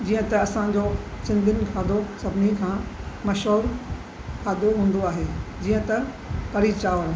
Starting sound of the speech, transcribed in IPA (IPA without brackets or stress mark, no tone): d͡ʑ